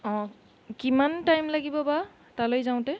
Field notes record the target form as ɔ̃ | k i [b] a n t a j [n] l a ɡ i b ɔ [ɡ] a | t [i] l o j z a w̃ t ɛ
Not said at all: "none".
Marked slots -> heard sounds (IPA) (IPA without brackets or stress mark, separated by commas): m, m, b, a